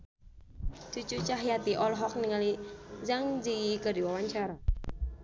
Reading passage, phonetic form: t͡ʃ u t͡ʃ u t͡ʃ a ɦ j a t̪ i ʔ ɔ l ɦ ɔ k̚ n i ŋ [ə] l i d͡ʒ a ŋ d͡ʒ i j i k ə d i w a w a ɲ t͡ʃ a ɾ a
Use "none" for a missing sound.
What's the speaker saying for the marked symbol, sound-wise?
a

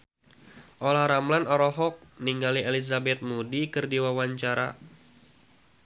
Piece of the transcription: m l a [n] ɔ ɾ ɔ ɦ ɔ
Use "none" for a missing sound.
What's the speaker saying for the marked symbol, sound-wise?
n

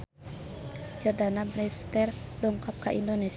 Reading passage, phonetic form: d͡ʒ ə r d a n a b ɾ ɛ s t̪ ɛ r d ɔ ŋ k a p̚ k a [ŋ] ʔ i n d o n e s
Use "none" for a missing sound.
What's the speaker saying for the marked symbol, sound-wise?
none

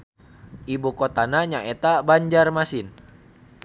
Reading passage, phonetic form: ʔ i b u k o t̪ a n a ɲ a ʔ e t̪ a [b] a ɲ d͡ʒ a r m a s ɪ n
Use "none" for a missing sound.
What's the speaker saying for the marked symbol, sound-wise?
b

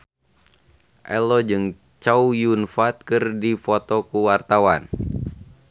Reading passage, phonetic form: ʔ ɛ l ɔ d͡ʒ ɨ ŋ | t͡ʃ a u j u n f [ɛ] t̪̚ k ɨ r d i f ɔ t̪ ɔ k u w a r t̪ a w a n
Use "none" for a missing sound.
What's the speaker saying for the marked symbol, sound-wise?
a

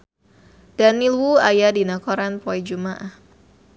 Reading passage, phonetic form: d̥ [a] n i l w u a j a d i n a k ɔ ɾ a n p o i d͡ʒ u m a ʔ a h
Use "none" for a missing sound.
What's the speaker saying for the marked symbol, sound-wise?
a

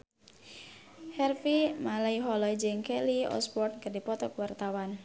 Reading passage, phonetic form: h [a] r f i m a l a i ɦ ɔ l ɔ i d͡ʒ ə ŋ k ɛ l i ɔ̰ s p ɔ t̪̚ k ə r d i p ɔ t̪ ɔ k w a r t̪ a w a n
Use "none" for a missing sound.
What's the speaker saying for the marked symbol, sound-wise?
ɛ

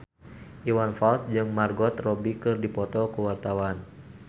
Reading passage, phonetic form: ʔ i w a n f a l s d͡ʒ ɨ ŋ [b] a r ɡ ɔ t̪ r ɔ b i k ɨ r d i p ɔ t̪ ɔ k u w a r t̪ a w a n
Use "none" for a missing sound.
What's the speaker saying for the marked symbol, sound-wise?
m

